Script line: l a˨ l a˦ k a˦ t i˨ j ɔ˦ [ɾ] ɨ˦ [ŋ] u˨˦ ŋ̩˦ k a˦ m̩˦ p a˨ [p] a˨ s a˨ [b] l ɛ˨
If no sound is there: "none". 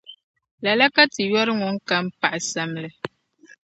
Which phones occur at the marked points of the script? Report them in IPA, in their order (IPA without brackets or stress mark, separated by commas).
ɾ, ŋ, ʔ, m